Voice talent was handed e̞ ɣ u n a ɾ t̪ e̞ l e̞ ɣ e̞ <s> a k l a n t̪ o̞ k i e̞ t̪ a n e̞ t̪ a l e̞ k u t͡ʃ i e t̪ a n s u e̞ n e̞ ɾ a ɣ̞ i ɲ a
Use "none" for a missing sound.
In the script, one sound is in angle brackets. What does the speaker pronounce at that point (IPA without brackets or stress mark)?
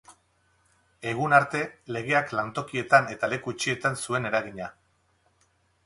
none